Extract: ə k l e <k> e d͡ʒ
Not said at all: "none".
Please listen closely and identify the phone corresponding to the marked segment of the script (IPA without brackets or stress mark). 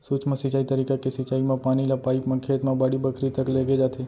ɡ